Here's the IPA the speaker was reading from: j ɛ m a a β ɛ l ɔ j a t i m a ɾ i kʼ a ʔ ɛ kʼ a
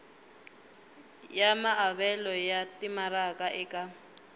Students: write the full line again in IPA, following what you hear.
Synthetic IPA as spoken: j a m a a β ɛ l ɔ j a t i m a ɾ a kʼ a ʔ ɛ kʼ a